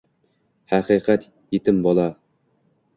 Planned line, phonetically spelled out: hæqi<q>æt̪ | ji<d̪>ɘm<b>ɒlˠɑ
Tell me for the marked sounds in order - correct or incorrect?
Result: correct, incorrect: t̪, correct

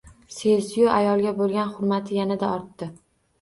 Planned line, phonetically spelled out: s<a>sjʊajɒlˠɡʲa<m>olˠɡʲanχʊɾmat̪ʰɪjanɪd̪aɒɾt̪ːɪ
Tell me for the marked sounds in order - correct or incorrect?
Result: incorrect: e, incorrect: b

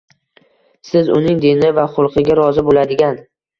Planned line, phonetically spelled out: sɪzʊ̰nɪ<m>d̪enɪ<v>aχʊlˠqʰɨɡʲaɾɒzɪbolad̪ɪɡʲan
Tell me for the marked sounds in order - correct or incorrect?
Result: incorrect: ŋ, correct

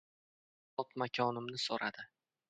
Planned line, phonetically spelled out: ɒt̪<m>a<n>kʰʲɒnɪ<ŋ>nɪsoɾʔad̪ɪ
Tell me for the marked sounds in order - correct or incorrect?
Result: correct, incorrect: none, incorrect: m

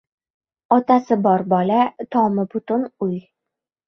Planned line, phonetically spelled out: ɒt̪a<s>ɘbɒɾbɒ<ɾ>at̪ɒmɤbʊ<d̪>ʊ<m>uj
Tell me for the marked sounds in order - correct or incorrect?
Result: correct, incorrect: l, incorrect: t̪, incorrect: n

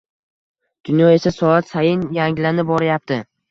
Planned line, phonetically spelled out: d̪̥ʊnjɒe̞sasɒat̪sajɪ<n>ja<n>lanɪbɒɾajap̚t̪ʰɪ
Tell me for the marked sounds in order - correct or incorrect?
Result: correct, incorrect: ŋ

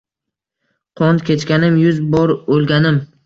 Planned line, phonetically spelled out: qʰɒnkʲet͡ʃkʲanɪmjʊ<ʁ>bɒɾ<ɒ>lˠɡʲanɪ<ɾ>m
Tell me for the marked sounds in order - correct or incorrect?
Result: incorrect: z, incorrect: o, incorrect: none

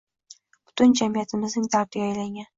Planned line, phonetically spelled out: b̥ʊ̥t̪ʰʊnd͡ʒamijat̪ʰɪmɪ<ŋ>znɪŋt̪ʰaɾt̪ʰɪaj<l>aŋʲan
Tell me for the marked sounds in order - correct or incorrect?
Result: incorrect: none, correct

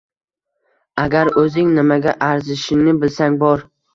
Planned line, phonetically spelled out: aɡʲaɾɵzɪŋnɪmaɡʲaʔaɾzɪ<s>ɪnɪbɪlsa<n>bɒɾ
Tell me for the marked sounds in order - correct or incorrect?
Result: incorrect: ʃ, incorrect: ŋ

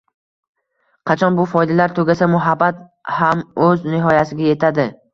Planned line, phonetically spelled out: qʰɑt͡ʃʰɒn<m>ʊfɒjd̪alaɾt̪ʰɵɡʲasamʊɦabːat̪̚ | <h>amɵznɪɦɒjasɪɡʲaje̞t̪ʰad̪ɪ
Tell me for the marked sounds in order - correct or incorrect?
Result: incorrect: b, correct

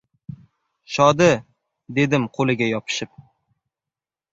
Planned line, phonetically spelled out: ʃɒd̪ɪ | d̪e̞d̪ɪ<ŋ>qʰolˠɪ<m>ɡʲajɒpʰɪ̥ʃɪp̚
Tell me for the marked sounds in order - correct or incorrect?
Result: incorrect: m, incorrect: none

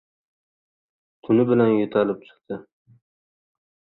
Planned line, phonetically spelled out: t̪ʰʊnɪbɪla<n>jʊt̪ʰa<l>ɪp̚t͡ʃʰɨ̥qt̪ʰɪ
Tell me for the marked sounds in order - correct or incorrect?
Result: correct, correct

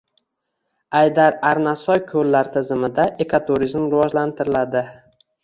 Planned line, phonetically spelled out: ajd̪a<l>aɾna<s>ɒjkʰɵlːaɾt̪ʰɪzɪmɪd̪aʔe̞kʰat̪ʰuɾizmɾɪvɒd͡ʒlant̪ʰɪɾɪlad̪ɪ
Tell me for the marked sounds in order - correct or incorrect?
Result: incorrect: ɾ, correct

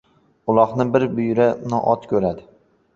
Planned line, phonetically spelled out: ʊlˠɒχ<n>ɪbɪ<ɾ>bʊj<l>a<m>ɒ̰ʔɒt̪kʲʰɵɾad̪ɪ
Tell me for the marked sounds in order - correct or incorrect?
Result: correct, correct, incorrect: ɾ, incorrect: n

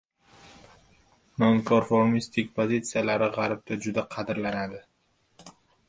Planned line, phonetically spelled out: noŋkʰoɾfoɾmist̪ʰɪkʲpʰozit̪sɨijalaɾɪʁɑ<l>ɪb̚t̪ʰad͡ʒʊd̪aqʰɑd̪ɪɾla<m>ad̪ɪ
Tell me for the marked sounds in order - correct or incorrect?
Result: incorrect: ɾ, incorrect: n

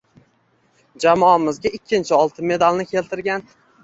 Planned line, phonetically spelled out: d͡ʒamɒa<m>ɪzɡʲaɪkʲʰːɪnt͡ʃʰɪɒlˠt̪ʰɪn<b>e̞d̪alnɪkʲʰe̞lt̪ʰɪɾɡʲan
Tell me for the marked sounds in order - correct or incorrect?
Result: correct, incorrect: m

